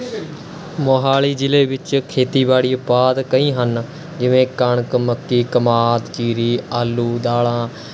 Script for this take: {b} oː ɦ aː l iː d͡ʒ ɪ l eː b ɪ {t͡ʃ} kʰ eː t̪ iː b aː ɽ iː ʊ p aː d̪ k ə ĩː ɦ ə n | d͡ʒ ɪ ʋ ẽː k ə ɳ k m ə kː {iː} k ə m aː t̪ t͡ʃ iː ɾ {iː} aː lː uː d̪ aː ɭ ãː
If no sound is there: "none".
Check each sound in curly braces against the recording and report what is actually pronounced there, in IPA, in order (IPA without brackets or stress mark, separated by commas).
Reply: m, t͡ʃ, iː, iː